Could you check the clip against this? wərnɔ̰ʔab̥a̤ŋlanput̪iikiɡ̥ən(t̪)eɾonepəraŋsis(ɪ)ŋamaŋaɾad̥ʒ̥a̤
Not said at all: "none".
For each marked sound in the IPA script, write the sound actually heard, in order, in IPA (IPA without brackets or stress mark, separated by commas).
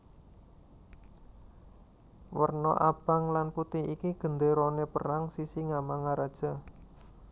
d̪, i